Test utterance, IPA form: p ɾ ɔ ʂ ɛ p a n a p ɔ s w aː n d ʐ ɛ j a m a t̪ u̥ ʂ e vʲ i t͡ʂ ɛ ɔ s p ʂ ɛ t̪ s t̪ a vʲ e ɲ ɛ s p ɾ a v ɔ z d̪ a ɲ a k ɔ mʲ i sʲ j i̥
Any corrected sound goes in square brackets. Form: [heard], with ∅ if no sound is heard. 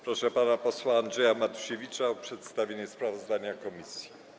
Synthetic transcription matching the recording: p ɾ ɔ ʂ ɛ p a n a p ɔ s w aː n d ʐ ɛ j a m a t̪ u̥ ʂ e vʲ i t͡ʂ [a] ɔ [∅] p ʂ ɛ t̪ s t̪ a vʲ e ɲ ɛ s p ɾ a v ɔ z d̪ a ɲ a k ɔ mʲ i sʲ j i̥